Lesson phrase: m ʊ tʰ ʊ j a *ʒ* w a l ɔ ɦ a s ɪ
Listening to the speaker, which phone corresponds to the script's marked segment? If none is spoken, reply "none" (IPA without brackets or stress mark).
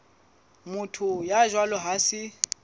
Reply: ʒ